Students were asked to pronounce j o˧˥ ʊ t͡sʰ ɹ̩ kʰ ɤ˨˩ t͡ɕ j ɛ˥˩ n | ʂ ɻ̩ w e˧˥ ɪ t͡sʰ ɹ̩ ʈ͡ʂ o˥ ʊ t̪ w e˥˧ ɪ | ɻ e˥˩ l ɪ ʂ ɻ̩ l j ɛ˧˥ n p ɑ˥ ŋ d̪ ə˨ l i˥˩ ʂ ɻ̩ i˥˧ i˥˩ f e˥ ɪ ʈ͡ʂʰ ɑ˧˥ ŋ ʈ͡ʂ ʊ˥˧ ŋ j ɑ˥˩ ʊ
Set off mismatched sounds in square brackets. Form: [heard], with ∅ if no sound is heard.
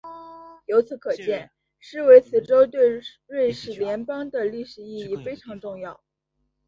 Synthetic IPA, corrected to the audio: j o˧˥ ʊ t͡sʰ ɹ̩ kʰ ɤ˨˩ t͡ɕ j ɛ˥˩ n | ʂ ɻ̩ w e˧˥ ɪ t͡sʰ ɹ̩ ʈ͡ʂ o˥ ʊ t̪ w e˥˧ ɪ | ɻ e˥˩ [∅] ɪ ʂ ɻ̩ l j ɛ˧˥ n p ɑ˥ ŋ d̪ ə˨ l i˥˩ ʂ ɻ̩ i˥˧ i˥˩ f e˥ ɪ ʈ͡ʂʰ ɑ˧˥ ŋ ʈ͡ʂ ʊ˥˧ ŋ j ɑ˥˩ ʊ